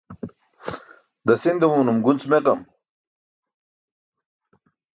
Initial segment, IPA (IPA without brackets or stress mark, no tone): d̪